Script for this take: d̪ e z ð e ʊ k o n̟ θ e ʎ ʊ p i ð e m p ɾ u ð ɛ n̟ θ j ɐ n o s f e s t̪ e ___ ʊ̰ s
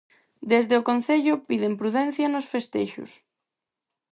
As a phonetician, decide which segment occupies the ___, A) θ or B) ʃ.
B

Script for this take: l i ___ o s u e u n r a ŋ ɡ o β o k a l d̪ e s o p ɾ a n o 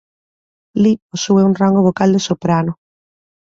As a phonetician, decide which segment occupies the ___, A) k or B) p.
B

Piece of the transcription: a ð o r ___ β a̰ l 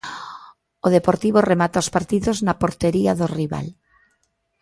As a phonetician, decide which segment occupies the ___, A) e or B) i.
B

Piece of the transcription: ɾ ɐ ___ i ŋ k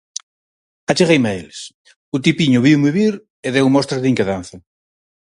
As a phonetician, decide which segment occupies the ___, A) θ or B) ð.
B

